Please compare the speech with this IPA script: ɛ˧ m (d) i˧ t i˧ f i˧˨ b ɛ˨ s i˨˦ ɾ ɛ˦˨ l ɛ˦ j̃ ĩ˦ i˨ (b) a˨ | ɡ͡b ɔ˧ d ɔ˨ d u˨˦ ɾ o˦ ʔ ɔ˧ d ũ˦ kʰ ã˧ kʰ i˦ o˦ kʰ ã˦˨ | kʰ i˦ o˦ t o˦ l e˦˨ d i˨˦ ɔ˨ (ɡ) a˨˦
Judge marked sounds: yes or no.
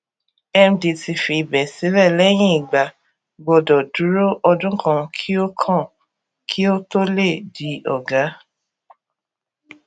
yes, no, yes

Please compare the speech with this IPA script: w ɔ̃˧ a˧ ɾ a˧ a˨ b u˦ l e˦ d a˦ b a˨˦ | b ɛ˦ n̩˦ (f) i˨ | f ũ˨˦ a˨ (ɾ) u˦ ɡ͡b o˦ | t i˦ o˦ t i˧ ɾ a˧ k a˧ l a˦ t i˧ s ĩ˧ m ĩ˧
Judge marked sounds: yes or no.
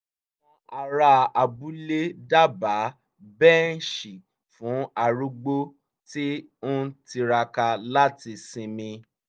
no, yes

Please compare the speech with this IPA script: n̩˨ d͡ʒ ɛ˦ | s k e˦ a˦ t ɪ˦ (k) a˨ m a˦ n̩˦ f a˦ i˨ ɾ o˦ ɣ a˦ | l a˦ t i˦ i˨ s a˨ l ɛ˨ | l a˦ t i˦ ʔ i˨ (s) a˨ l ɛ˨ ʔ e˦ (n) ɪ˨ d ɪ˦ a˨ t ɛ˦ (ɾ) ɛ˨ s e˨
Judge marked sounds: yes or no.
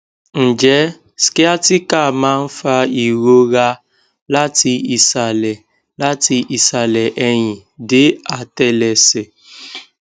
yes, yes, no, no

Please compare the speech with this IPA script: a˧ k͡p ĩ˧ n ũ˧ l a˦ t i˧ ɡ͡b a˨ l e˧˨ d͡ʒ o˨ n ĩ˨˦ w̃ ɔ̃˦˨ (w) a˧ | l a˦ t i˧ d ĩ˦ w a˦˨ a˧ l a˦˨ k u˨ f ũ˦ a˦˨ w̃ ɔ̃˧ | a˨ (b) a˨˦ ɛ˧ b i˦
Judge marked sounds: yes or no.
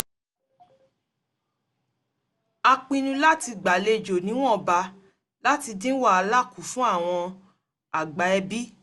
no, no

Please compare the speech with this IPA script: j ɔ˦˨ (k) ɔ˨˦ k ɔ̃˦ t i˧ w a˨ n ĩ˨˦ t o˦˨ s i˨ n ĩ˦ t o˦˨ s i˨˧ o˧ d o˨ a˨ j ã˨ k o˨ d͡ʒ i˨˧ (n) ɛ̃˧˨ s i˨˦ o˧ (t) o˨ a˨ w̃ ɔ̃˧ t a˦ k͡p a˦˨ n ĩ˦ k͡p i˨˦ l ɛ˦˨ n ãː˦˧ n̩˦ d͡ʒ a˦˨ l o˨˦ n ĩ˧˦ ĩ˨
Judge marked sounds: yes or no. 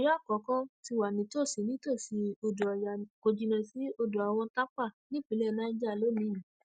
yes, yes, no

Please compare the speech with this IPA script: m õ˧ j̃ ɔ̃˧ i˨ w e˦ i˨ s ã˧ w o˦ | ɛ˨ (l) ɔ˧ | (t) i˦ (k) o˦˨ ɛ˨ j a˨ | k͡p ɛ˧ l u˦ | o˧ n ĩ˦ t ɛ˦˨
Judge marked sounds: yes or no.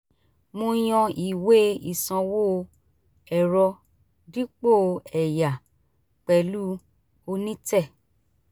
no, no, no

